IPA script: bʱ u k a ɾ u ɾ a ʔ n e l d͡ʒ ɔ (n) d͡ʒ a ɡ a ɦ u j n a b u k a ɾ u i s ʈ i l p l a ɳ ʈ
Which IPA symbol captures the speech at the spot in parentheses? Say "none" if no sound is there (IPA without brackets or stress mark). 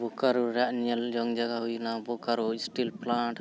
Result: ŋ